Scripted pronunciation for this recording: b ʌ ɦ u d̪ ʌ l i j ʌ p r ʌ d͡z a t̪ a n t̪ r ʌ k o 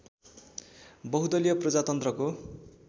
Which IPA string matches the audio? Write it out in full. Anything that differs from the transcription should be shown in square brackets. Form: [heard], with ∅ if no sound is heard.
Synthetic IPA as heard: b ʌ ɦ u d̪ ʌ l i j ʌ p r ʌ d͡z a t̪ [ʌ] n t̪ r ʌ k o

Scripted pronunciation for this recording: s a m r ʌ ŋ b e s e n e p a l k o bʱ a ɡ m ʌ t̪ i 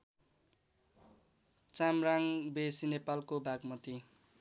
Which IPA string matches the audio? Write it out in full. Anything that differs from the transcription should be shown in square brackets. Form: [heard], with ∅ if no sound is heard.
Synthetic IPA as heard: [t͡s] a m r [a] ŋ b e s [i] n e p a l k o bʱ a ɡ m ʌ t̪ i

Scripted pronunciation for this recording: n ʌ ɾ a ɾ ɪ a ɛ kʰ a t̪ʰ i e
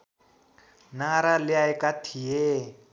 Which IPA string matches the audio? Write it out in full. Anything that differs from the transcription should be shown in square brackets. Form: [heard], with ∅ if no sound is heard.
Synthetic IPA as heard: n [a] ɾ a [l] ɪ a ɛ [k] a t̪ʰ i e

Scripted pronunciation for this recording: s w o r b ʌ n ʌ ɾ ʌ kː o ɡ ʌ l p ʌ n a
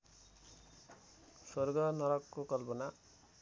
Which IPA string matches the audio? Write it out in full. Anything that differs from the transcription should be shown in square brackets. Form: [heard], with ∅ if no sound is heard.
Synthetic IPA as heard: s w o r [ɡ] ʌ n ʌ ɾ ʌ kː o [k] ʌ l p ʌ n a

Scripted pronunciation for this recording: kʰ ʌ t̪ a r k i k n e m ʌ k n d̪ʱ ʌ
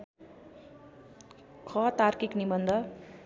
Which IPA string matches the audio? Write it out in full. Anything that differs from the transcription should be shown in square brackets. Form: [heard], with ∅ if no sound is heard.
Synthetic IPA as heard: kʰ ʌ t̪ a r k i k n [i] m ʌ [∅] n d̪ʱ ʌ

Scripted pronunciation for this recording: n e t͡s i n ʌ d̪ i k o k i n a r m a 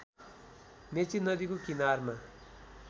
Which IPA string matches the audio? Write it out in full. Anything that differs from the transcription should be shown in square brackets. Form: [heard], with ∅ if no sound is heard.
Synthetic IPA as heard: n e t͡s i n ʌ d̪ i k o k i n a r m a

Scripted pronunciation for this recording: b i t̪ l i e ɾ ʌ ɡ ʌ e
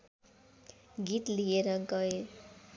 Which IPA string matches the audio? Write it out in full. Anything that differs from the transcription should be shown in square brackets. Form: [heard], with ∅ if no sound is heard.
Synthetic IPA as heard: [ɡ] i t̪ l i e ɾ ʌ ɡ ʌ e

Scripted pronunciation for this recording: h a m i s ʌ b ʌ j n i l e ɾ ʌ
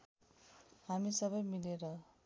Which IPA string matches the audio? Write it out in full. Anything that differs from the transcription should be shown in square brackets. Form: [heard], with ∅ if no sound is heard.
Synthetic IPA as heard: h a m i s ʌ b ʌ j [m] i l e ɾ ʌ

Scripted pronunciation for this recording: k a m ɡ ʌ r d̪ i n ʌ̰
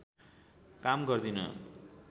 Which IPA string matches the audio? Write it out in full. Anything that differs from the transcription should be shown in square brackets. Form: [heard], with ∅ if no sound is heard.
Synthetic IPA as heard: k a m ɡ ʌ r d̪ i n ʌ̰

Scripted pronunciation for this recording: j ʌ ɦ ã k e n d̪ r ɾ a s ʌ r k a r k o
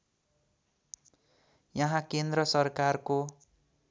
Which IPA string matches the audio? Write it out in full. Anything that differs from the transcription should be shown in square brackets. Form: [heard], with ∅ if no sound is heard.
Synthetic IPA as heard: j ʌ ɦ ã k e n d̪ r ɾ [ʌ] s ʌ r k a r k o

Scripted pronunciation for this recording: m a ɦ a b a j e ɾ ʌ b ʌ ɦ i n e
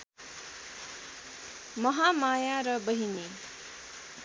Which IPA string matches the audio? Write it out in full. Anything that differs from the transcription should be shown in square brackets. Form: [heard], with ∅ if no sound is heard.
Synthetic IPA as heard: m [ʌ] ɦ a [m] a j [a] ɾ ʌ b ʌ ɦ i n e

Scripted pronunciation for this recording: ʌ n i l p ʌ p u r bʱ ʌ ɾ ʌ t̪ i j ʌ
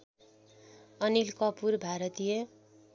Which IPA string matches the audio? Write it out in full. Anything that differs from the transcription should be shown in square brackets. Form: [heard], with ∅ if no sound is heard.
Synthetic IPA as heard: ʌ n i l [k] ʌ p u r bʱ [a] ɾ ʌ t̪ i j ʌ

